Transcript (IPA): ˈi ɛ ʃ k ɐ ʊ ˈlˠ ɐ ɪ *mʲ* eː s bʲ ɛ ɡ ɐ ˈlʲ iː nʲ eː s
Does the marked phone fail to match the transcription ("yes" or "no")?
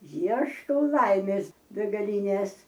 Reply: no